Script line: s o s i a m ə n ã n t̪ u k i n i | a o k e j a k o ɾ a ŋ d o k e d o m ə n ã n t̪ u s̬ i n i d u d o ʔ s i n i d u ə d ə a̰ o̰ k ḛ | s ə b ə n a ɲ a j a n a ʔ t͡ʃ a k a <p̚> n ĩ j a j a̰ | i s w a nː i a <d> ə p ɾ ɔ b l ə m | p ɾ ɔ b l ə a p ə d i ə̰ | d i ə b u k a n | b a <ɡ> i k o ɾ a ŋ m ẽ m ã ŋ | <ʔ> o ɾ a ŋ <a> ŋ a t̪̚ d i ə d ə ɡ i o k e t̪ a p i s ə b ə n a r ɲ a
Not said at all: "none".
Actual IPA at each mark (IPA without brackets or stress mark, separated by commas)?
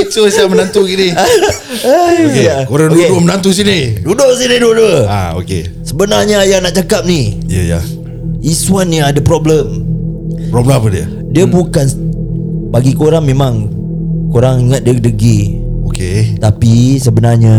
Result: p̚, d, ɡ, k, i